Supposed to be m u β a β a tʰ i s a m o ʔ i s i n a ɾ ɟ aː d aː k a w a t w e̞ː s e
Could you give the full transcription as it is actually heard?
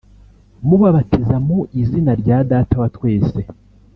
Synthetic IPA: m u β a β a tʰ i z a m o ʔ i z i n a ɾ ɟ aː d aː t a w a t w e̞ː s e